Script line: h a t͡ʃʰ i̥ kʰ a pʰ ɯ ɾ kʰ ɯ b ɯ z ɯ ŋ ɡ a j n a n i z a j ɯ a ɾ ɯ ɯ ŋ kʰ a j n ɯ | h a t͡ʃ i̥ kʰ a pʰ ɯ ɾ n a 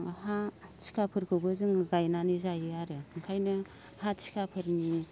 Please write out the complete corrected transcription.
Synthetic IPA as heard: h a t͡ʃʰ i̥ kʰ a pʰ ɯ ɾ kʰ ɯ b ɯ z ɯ ŋ ɡ a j n a n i z a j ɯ a ɾ ɯ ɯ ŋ kʰ a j n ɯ | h a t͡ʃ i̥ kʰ a pʰ ɯ ɾ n i